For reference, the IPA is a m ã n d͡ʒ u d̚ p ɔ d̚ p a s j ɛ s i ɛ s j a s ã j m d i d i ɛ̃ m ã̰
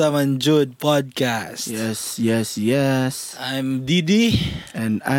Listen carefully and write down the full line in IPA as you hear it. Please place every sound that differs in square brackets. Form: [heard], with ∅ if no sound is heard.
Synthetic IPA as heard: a m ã n d͡ʒ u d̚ p ɔ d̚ [k] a s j ɛ s [j] ɛ s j [ɛ] s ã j m d i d i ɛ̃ [n] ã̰